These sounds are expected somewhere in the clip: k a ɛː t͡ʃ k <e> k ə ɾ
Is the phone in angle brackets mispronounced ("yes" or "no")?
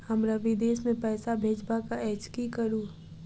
yes